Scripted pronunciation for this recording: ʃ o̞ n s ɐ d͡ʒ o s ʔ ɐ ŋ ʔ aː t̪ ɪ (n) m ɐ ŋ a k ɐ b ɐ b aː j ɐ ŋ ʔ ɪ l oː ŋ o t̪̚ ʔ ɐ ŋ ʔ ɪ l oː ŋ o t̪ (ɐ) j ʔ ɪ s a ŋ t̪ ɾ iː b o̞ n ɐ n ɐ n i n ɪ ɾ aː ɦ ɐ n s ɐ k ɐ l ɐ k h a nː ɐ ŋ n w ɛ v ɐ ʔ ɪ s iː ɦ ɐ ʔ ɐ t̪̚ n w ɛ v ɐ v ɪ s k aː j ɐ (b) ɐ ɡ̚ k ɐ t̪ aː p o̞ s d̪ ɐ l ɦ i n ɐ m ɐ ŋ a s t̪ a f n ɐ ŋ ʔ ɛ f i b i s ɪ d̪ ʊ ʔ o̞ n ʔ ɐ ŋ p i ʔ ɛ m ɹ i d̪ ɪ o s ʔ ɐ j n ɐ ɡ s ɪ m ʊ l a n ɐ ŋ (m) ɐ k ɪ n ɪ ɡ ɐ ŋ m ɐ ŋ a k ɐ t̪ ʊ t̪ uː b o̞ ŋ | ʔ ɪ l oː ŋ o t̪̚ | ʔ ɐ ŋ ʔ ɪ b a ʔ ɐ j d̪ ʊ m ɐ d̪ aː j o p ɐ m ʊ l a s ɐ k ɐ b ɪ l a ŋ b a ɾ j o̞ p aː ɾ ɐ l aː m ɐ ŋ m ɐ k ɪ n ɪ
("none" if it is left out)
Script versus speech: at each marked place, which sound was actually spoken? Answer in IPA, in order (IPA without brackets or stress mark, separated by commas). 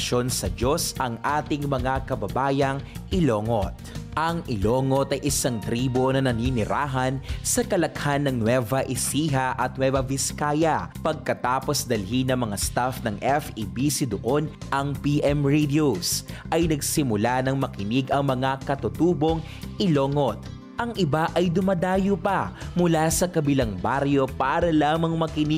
ŋ, ɐ, p, m